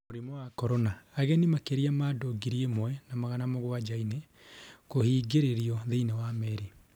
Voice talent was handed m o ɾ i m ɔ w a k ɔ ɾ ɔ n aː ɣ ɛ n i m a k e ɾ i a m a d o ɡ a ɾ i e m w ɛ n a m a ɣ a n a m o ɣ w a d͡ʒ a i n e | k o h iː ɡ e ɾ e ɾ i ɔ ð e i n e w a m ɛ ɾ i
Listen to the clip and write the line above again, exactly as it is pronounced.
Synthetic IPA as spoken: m o ɾ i m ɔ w a k ɔ ɾ ɔ n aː ɣ ɛ n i m a k e ɾ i a m a d o ɡ i ɾ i e m w ɛ n a m a ɣ a n a m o ɣ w a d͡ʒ a i n e | k o h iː ɡ e ɾ e ɾ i ɔ ð e i n e w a m ɛ ɾ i